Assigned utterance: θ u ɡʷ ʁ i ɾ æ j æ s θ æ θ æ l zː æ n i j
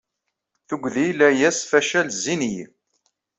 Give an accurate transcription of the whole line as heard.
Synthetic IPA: θ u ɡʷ ð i l æ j æ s f æ ʃ æ l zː i n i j